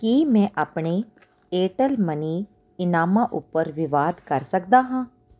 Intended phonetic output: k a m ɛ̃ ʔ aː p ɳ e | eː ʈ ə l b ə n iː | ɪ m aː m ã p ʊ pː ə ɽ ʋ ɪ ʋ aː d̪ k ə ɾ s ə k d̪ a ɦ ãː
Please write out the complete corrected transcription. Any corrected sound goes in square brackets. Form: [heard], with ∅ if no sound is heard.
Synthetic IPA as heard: k [i] m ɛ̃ ʔ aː p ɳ e | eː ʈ ə l [m] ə n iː | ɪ [n] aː m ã [ʔ] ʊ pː ə [ɾ] ʋ ɪ ʋ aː d̪ k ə ɾ s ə k d̪ a ɦ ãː